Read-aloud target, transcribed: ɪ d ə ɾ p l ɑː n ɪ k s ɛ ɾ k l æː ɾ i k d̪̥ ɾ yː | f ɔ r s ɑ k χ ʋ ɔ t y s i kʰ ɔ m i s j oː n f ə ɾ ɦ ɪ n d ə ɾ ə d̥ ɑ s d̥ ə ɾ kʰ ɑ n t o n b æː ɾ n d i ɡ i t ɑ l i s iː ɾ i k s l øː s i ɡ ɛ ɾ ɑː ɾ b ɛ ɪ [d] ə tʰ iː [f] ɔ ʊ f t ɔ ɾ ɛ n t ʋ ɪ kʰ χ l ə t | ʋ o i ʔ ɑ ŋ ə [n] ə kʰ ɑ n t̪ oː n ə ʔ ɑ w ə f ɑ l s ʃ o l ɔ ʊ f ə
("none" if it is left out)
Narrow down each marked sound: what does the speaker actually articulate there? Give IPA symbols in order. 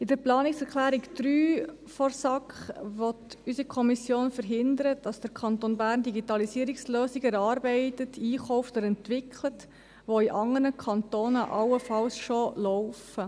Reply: t, χ, n

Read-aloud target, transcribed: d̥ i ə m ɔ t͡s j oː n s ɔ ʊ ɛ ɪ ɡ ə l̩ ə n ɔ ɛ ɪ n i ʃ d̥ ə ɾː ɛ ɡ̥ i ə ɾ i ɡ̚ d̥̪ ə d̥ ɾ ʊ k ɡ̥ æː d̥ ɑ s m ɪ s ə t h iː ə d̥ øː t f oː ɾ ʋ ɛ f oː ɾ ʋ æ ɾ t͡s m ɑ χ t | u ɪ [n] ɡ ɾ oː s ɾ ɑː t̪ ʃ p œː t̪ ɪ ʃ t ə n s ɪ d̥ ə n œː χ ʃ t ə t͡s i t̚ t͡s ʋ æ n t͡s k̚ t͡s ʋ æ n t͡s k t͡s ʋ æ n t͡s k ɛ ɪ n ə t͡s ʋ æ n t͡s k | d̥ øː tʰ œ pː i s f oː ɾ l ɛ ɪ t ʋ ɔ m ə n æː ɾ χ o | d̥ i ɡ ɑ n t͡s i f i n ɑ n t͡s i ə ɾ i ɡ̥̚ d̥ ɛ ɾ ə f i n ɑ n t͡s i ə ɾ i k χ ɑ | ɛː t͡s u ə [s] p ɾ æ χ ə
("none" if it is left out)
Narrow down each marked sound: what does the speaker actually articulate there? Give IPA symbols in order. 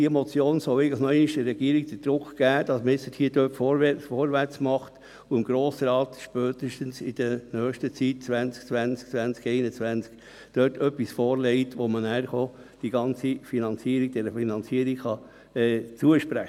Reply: m, ʃ

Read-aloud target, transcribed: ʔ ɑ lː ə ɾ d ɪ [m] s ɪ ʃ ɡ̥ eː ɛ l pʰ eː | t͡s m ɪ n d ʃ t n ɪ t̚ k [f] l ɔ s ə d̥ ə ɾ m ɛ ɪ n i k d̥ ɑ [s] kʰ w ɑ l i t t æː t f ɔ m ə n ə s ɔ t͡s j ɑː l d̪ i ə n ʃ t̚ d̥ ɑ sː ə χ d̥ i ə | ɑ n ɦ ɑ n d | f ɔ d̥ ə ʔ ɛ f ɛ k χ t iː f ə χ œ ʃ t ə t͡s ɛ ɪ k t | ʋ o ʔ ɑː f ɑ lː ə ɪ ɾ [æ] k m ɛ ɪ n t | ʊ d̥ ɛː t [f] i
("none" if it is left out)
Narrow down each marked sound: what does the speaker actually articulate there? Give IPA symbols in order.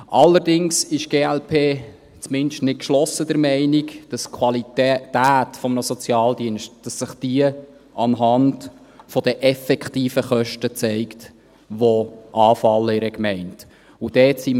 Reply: ŋ, ʃ, s, ɛ, s

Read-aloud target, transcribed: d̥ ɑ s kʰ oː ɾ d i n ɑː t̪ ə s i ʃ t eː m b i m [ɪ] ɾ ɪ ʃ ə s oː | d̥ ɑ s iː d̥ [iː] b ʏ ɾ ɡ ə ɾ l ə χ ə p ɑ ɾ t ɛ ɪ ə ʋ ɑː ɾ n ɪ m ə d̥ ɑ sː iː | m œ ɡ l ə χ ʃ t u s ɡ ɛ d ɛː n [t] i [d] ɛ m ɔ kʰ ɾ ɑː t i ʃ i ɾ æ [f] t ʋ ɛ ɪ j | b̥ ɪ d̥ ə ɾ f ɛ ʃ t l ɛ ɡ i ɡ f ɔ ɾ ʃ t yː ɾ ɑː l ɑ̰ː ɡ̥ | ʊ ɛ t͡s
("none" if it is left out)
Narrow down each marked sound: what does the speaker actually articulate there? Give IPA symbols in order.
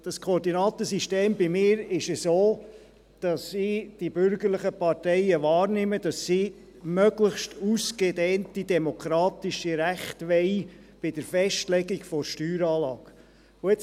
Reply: ɪː, i, t, d, χ

